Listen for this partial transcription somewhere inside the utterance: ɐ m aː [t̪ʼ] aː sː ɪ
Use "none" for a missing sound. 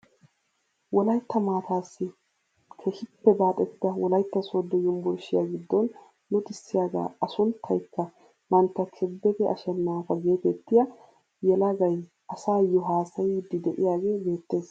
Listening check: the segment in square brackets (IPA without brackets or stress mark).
t̪